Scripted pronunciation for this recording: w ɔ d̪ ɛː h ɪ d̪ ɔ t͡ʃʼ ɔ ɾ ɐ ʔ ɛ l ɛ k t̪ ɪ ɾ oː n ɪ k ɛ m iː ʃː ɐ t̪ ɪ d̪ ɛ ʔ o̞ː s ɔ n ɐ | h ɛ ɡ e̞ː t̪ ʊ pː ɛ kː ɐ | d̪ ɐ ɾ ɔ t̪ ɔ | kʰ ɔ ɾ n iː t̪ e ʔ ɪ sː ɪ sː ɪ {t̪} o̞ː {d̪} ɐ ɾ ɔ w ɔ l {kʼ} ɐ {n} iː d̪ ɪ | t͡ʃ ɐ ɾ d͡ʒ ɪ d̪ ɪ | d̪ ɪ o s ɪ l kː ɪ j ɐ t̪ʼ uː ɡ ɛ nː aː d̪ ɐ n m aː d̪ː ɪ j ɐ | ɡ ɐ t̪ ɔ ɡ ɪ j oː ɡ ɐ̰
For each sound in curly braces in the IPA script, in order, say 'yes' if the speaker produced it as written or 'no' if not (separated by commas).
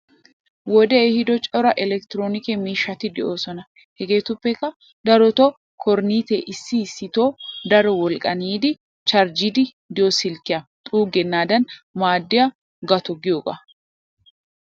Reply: yes, yes, yes, yes